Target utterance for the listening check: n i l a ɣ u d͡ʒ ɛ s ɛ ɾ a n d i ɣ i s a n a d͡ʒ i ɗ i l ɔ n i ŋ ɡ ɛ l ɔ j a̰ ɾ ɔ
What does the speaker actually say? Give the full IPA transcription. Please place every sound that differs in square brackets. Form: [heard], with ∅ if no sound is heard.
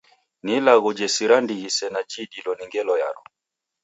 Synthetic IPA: n i l a ɣ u d͡ʒ ɛ s [i] ɾ a n d i ɣ i s [ɛ] n a d͡ʒ i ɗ i l ɔ n i ŋ ɡ ɛ l ɔ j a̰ ɾ ɔ